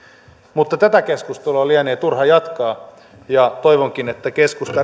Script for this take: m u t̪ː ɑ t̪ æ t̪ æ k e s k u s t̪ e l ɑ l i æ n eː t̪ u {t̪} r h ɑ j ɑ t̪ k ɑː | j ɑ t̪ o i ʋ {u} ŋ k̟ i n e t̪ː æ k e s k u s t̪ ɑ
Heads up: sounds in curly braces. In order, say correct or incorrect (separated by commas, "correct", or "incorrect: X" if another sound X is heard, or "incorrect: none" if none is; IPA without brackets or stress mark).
incorrect: none, incorrect: o